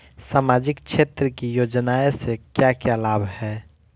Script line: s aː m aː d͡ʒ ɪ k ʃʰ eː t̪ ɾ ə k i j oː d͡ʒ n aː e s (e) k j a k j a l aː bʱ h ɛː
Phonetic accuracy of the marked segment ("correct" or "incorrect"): correct